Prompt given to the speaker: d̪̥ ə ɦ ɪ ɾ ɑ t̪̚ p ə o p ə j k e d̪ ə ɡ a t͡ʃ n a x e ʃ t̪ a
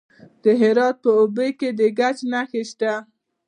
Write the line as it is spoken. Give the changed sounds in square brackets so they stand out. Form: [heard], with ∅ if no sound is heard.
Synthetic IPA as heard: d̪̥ ə ɦ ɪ ɾ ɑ t̪̚ p ə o [b] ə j k e d̪ ə ɡ a t͡ʃ n a x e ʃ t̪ a